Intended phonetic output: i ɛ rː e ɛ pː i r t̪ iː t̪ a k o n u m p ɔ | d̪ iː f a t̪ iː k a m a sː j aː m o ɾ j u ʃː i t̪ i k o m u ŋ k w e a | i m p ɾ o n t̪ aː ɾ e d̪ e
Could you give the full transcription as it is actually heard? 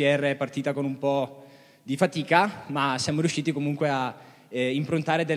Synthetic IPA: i ɛ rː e ɛ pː a r t̪ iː t̪ a k o n u m p ɔ | d̪ i f a t̪ iː k a m a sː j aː m o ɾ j u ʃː iː t̪ i k o m u ŋ k w e a | i m p ɾ o n t̪ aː ɾ e d̪ e